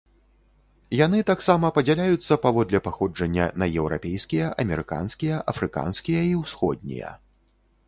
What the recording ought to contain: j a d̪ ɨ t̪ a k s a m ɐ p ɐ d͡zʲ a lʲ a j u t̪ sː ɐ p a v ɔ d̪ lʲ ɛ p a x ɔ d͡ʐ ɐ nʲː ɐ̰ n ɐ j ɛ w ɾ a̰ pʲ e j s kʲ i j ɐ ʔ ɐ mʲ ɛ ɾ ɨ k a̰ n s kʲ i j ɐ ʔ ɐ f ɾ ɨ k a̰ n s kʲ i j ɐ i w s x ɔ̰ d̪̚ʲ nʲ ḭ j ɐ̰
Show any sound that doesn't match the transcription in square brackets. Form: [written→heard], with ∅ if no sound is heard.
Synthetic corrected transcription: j a [d̪→n̪] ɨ t̪ a k s a m ɐ p ɐ d͡zʲ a lʲ a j u t̪ sː ɐ p a v ɔ d̪ lʲ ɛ p a x ɔ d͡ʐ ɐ nʲː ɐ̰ n ɐ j ɛ w ɾ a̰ pʲ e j s kʲ i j ɐ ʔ ɐ mʲ ɛ ɾ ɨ k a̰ n s kʲ i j ɐ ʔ ɐ f ɾ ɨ k a̰ n s kʲ i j ɐ i w s x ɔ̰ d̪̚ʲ nʲ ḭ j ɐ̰

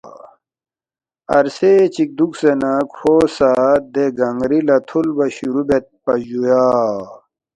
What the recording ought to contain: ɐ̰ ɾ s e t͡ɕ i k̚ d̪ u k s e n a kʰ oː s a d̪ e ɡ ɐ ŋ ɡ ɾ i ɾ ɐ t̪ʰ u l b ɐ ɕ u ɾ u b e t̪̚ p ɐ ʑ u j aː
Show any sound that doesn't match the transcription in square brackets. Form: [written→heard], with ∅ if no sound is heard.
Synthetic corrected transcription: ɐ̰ ɾ s e t͡ɕ i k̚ d̪ u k s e n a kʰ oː s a d̪ e ɡ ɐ ŋ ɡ ɾ i [ɾ→l] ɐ t̪ʰ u l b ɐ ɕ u ɾ u b e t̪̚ p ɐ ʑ u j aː

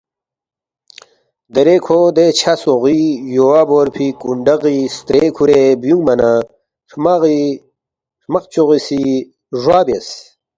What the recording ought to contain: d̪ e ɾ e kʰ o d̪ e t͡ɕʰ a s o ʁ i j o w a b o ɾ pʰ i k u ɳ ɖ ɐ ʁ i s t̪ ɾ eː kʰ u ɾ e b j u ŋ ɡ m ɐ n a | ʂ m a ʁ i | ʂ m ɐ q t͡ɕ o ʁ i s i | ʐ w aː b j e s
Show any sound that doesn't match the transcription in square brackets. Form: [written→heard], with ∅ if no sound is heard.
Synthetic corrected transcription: d̪ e ɾ e kʰ o d̪ e t͡ɕʰ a s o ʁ i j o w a b o ɾ pʰ i k u ɳ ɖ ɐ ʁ i s t̪ ɾ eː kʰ u ɾ e b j u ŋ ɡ m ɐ n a | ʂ m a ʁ i | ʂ m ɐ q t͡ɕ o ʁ i s i | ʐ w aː b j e s

